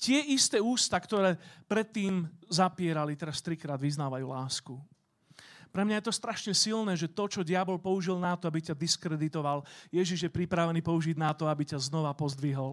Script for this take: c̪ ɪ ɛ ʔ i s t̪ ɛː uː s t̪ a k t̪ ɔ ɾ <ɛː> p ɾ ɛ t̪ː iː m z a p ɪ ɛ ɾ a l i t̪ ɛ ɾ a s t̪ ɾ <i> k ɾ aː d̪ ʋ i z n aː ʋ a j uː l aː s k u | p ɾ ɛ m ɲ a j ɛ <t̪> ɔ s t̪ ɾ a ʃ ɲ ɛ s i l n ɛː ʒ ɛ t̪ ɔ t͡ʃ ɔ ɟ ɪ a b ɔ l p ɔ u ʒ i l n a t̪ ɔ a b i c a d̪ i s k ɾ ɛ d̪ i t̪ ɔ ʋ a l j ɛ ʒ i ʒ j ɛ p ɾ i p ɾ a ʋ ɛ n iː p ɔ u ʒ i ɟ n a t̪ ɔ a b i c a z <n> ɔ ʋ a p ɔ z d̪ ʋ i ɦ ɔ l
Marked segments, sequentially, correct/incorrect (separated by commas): correct, correct, correct, correct